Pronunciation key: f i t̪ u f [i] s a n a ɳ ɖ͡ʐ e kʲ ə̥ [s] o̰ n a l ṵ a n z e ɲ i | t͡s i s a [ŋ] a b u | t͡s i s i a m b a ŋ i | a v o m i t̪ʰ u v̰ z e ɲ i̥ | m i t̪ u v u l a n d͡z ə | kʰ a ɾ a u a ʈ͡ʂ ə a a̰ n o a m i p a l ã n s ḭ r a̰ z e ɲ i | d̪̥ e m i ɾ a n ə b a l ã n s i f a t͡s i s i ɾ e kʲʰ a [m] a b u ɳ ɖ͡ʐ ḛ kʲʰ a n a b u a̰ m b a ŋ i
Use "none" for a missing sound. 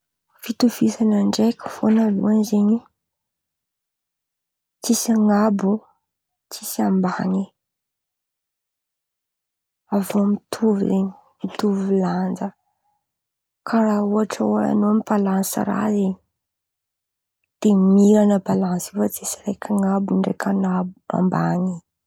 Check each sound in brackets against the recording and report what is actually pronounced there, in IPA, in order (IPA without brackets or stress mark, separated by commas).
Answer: i, f, ŋ, ŋ